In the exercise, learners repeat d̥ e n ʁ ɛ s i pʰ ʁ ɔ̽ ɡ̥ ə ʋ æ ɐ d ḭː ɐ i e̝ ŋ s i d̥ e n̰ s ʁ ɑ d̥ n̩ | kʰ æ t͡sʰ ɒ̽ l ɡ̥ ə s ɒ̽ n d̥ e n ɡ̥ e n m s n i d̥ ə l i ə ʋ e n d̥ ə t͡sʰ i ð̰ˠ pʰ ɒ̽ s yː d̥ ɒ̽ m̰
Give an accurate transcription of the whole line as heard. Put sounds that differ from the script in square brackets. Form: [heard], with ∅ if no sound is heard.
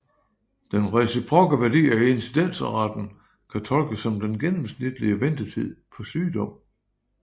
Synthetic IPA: d̥ e n ʁ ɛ s i pʰ ʁ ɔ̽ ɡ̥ ə ʋ æ ɐ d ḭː ɐ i e̝ [n] s i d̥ e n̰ s ʁ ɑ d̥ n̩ | kʰ æ t͡sʰ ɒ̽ l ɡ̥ ə s ɒ̽ [m] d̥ e n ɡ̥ e n m s n i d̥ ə l i ə ʋ e n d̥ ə t͡sʰ i ð̰ˠ pʰ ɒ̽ s yː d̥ ɒ̽ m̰